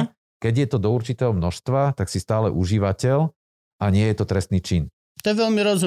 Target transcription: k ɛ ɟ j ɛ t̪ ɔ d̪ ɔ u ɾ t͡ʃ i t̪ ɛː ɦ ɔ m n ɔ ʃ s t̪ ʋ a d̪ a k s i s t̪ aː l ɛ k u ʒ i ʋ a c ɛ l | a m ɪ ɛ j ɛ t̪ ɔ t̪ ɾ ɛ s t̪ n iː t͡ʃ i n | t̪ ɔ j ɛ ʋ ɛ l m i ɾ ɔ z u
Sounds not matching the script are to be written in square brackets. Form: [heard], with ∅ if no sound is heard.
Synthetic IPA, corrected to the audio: k ɛ ɟ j ɛ t̪ ɔ d̪ ɔ u ɾ t͡ʃ i t̪ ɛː ɦ ɔ m n ɔ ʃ s t̪ ʋ a [t̪] a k s i s t̪ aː l ɛ [ʔ] u ʒ i ʋ a c ɛ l | a [ɲ] ɪ ɛ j ɛ t̪ ɔ t̪ ɾ ɛ s t̪ n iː t͡ʃ i n | t̪ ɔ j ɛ ʋ ɛ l m i ɾ ɔ z u